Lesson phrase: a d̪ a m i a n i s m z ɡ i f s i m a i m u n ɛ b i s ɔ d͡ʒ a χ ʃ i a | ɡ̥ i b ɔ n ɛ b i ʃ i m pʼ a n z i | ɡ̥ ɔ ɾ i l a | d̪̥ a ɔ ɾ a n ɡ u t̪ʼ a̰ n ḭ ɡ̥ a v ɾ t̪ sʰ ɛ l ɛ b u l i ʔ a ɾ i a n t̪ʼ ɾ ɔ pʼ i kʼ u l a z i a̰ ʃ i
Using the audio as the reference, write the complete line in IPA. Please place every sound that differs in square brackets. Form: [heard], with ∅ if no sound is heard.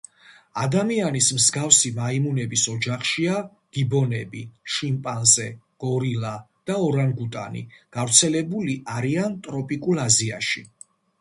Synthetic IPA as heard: a d̪ a m i a n i s m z ɡ [a] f s i m a i m u n ɛ b i s ɔ d͡ʒ a χ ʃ i a | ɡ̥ i b ɔ n ɛ b i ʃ i m pʼ a n z [ɛ] | ɡ̥ ɔ ɾ i l a | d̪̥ a ɔ ɾ a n ɡ u t̪ʼ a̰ n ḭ ɡ̥ a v ɾ t̪ sʰ ɛ l ɛ b u l i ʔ a ɾ i a n t̪ʼ ɾ ɔ pʼ i kʼ u l a z i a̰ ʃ i